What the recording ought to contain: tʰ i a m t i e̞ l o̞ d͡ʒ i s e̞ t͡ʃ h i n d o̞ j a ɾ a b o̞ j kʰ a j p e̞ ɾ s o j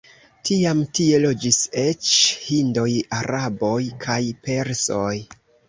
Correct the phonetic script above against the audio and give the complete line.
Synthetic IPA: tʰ i a m t i e̞ l o̞ d͡ʒ i s e̞ t͡ʃ h i n d o̞ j a ɾ a b o̞ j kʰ a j p e̞ ɾ s o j